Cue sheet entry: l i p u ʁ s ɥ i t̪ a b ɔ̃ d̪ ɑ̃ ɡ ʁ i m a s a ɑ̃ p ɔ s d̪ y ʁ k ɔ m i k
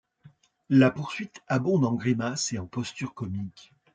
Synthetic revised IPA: l a p u ʁ s ɥ i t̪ a b ɔ̃ d̪ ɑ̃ ɡ ʁ i m a s e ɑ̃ p ɔ s t̪ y ʁ k ɔ m i k